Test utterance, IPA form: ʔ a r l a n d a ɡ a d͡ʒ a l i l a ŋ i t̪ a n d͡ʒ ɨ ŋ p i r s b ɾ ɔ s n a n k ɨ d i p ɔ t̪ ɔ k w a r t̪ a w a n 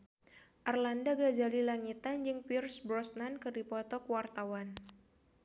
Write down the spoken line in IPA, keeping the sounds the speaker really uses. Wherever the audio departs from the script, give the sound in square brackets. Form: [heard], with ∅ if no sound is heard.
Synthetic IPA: ʔ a r l a n d a ɡ a d͡ʒ a l i l a ŋ i t̪ a n d͡ʒ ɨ ŋ p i r s b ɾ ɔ s n a n k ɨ d i p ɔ t̪ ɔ k w a r t̪ a w a n